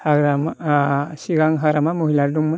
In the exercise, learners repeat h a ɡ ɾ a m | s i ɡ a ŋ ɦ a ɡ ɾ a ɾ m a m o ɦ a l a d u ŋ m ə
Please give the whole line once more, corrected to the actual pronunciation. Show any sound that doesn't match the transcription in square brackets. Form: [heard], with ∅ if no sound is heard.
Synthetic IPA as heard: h a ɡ ɾ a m | s i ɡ a ŋ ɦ a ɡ ɾ a [∅] m a m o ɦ [i] l a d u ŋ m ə